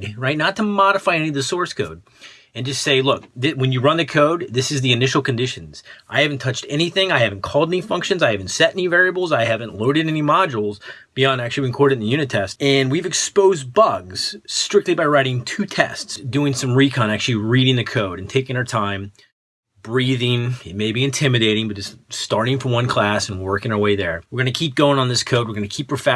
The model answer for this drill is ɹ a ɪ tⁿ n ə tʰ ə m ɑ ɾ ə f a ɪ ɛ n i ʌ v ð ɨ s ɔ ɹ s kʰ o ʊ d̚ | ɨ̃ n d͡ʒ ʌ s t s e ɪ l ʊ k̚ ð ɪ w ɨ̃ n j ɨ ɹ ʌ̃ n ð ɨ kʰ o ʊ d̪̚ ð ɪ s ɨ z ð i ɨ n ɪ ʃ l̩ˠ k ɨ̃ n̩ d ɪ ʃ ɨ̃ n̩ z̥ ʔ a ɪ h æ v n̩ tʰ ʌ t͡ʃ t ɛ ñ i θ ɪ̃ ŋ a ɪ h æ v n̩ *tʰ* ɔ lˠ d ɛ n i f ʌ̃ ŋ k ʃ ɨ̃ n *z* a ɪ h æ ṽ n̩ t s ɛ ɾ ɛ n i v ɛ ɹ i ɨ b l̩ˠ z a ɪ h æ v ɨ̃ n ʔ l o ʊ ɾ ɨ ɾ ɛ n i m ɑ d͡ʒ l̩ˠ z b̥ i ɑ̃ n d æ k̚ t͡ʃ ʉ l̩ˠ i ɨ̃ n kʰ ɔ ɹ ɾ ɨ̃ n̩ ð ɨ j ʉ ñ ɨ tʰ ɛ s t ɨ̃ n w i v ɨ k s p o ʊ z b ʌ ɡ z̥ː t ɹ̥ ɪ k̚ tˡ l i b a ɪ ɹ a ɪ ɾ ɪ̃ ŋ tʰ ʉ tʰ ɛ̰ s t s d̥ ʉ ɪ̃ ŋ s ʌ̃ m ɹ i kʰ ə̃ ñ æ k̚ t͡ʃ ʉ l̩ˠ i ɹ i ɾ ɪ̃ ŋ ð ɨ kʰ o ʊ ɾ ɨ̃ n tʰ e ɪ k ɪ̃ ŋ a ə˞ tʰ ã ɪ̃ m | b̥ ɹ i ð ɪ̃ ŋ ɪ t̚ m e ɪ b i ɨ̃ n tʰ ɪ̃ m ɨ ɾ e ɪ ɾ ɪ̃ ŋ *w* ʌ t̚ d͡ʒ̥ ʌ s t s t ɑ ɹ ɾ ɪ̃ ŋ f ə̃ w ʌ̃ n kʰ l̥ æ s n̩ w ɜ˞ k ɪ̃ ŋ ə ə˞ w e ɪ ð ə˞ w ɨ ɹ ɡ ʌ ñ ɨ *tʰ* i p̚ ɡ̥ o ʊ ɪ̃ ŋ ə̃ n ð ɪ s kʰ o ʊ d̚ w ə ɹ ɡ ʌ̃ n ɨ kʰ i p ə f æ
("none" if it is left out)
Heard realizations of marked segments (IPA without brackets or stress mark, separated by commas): kʰ, z, b, kʰ